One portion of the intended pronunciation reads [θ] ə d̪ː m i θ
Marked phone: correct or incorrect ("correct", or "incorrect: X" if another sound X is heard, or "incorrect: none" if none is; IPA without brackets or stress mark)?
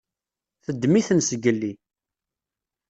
correct